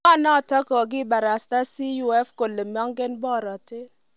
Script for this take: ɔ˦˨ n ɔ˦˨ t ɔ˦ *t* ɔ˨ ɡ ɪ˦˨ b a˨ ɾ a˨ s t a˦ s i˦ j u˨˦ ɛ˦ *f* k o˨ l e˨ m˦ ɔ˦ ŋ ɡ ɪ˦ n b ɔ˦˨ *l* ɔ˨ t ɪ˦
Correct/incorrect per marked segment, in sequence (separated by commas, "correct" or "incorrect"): incorrect, correct, incorrect